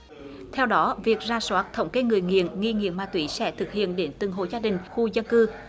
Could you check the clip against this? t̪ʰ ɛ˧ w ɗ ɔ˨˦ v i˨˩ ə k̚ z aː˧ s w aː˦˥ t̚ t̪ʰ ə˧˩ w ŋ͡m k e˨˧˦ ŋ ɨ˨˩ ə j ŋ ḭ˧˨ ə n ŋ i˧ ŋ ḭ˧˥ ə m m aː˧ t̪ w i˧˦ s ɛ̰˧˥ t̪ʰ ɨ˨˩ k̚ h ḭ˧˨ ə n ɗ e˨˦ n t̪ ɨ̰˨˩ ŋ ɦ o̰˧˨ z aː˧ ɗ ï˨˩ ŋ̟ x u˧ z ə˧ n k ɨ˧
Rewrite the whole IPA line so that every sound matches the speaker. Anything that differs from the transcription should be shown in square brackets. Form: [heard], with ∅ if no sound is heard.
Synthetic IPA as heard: t̪ʰ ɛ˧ w ɗ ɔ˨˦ v i˨˩ ə k̚ z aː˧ s w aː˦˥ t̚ t̪ʰ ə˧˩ w ŋ͡m k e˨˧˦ ŋ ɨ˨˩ ə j ŋ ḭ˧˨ ə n ŋ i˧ ŋ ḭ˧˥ ə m m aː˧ t̪ w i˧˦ s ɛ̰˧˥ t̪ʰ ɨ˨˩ k̚ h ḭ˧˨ ə n ɗ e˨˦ n t̪ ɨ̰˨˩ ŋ ɦ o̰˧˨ z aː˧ ɗ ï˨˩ ŋ̟ x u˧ z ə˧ n k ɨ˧